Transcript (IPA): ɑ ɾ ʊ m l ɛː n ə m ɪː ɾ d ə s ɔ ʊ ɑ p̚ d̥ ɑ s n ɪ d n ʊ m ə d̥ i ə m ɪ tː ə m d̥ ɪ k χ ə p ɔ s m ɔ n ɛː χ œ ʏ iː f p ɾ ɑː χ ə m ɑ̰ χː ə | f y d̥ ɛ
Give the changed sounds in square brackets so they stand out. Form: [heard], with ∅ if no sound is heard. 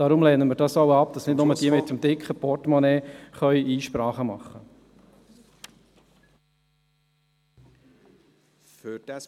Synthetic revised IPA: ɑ ɾ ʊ m l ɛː n ə m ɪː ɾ d [ɑ] s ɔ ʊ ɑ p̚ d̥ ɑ s n ɪ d n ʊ m ə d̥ i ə m ɪ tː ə m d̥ ɪ k χ ə p ɔ [t] m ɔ n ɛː χ œ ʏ iː [ʃ] p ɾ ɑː χ ə m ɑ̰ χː ə | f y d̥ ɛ